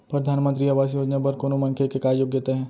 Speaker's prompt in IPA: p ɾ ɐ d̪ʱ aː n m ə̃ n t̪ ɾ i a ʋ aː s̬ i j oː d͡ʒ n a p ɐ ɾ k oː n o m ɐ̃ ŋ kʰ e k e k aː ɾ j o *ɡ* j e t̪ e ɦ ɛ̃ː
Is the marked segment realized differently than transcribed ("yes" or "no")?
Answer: no